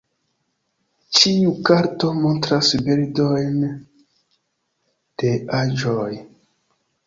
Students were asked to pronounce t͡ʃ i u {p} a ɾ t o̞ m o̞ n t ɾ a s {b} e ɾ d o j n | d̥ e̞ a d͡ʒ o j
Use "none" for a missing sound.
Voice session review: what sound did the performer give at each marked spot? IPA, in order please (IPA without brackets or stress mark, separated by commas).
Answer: k, b